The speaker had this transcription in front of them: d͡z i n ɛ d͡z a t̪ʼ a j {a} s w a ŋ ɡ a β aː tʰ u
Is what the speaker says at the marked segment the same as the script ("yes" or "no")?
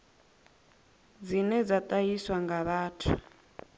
no